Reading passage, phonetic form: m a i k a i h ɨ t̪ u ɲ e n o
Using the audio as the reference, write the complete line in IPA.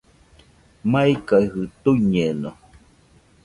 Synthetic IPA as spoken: m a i k a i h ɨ t̪ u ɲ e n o